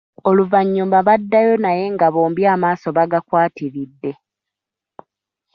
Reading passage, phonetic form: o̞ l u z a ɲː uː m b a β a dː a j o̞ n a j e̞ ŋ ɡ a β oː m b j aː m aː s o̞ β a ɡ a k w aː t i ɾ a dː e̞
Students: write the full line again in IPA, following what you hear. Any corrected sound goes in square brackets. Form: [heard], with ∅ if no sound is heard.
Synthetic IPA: o̞ l u [v] a ɲː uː m b a β a dː a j o̞ n a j e̞ ŋ ɡ a β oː m b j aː m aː s o̞ β a ɡ a k w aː t i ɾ [i] dː e̞